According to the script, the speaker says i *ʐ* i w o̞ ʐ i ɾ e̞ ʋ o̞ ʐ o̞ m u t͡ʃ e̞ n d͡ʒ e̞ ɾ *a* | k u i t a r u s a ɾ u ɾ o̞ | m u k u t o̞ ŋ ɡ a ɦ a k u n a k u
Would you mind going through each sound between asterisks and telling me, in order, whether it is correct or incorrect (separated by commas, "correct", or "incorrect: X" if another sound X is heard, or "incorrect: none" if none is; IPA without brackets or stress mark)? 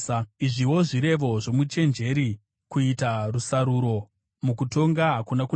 correct, incorrect: i